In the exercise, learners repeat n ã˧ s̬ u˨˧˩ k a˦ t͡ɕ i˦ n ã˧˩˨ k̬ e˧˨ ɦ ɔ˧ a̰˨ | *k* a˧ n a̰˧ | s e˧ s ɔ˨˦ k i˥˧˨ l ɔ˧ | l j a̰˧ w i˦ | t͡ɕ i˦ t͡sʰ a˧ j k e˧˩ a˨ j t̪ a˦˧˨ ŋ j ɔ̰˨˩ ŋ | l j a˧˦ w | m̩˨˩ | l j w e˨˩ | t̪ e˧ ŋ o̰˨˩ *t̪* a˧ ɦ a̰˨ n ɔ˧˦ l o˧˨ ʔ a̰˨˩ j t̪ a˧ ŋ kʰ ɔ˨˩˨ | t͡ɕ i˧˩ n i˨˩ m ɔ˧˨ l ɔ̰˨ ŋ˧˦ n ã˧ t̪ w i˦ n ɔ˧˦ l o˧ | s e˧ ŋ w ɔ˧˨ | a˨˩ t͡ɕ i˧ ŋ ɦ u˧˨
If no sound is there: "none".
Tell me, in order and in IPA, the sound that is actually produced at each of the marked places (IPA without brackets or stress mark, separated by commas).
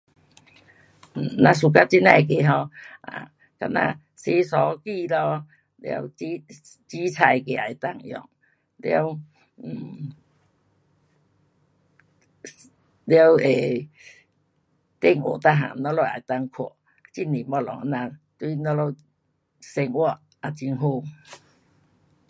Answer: k, t̪